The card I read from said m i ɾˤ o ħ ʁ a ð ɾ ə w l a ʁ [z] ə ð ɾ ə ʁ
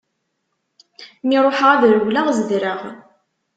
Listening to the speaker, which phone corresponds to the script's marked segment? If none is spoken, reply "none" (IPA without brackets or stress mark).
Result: z